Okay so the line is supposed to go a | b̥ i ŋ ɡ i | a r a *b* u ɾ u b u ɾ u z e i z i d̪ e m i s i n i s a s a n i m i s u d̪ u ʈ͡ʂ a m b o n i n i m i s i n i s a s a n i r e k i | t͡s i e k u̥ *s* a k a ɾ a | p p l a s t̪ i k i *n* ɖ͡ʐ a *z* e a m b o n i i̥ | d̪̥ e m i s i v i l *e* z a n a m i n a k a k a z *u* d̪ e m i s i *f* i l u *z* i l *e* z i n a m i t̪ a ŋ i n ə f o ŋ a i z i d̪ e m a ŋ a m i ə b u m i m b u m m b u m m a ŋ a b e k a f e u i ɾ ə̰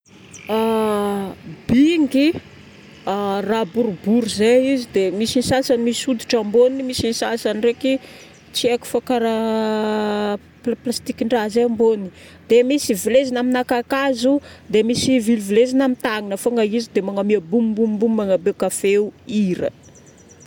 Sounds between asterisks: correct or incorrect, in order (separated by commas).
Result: correct, incorrect, incorrect, correct, correct, correct, incorrect, incorrect, correct